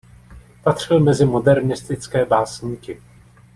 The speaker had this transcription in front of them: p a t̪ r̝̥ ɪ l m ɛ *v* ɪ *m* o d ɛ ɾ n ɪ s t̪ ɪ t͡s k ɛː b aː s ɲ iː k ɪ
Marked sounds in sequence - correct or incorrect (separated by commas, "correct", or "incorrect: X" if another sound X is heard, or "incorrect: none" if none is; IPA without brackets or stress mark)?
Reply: incorrect: z, correct